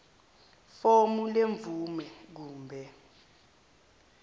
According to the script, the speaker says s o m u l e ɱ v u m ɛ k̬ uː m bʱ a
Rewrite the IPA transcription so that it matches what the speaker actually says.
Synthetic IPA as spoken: f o m u l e ɱ v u m ɛ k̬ uː m bʱ ɛ